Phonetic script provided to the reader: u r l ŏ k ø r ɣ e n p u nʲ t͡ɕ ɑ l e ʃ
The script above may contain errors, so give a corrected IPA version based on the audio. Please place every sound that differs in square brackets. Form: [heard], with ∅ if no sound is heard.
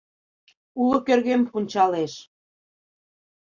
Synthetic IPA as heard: u [∅] l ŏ k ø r ɣ e [m] p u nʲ t͡ɕ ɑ l e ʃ